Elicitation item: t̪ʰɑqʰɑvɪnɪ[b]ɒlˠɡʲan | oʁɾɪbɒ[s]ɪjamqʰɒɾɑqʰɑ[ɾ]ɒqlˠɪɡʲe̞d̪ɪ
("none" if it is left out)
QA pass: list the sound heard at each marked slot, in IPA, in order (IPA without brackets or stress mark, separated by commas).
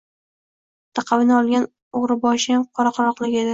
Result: none, ʃ, ɾ